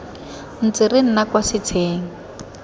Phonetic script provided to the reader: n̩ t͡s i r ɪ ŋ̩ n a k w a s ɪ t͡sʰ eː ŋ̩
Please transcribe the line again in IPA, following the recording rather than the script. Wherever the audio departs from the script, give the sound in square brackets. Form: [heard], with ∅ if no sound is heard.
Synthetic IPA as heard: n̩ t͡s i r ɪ [n̩] n a k w a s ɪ t͡sʰ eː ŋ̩